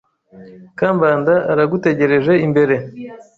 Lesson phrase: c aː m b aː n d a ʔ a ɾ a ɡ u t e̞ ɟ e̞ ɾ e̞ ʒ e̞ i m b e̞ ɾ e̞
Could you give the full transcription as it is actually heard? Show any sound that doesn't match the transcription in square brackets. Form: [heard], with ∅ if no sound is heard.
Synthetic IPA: [k] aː m b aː n d a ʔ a ɾ a ɡ u t e̞ ɟ e̞ ɾ e̞ ʒ e̞ i m b e̞ ɾ e̞